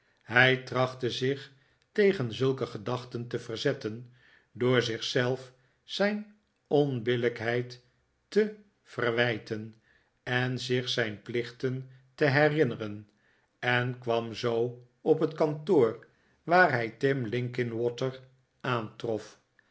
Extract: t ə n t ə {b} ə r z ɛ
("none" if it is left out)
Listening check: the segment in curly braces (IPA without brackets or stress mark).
v